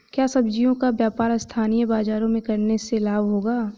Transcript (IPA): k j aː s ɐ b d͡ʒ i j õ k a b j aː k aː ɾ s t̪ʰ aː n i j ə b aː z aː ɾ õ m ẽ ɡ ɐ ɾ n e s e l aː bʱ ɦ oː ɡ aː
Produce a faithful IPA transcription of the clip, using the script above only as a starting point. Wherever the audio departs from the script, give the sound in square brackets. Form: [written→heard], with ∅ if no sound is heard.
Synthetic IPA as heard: k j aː s ɐ b d͡ʒ i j õ k a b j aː [k→p] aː ɾ s t̪ʰ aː n i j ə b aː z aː ɾ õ m ẽ [ɡ→k] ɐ ɾ n e s e l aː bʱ ɦ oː ɡ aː